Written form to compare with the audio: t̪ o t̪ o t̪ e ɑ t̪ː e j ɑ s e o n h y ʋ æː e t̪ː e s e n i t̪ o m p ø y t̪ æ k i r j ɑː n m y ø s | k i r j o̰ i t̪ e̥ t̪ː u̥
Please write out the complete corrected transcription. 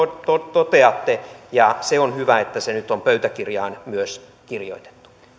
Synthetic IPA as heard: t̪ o t̪ o t̪ e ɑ t̪ː e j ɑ s e o n h y ʋ æ e t̪ː æ s e n y t̪ o m p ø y t̪ æ k i r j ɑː n m y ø s | k i r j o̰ i t̪ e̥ t̪ː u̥